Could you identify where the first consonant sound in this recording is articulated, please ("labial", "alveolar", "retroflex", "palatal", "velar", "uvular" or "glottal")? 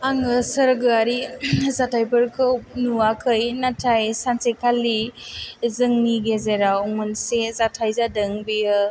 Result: velar